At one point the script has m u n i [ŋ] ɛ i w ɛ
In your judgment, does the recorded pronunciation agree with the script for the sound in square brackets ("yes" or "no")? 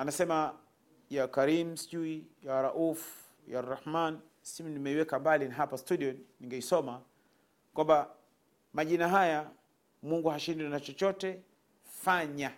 no